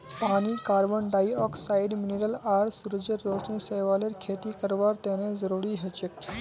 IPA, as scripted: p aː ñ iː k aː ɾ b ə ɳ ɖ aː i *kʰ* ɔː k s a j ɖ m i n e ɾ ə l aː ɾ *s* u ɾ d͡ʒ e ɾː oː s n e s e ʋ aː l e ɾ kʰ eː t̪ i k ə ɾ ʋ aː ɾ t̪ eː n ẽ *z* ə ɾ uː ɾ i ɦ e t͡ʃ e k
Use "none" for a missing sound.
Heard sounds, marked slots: none, s, z

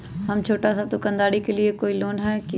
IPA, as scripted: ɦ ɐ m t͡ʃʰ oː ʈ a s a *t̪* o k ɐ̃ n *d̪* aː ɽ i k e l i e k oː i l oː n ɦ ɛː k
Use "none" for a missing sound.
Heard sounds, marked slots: t̪, d̪

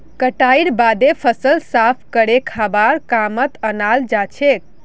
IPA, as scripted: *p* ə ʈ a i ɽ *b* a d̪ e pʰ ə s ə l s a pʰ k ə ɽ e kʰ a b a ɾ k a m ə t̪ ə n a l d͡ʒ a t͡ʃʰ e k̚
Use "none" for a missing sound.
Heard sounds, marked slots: k, b

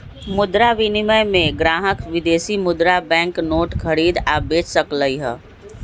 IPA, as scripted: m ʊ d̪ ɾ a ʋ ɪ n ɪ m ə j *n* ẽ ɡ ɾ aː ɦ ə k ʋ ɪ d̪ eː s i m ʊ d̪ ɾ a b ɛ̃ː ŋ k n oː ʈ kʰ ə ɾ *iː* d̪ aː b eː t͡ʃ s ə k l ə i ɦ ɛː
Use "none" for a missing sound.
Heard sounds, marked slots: m, iː

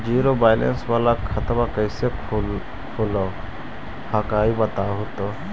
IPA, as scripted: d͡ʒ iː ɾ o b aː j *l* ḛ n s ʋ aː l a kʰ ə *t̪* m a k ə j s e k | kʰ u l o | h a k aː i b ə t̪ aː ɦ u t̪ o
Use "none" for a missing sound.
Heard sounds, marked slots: l, t̪

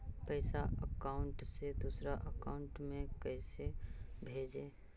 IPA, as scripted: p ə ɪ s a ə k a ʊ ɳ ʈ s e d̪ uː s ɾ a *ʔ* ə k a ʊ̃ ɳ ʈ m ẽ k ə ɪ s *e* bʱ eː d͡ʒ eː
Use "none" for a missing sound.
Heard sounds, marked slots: ʔ, e

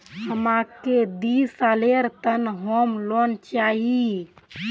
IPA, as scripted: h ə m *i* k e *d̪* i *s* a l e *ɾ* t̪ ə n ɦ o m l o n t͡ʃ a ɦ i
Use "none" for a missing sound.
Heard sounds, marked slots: a, d̪, s, ɾ

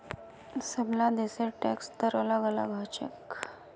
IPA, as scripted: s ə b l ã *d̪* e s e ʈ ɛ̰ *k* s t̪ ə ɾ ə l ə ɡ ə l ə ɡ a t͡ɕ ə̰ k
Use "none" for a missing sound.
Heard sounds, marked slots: d̪, k

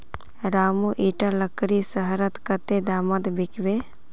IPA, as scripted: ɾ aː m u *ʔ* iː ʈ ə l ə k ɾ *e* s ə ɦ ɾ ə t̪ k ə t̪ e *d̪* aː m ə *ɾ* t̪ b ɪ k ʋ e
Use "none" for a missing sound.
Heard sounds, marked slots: ʔ, i, d̪, none

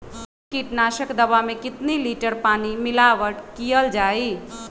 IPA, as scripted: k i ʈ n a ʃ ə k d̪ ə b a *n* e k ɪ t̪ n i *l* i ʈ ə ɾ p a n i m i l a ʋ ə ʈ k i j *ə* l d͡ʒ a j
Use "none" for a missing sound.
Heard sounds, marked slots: m, l, ə

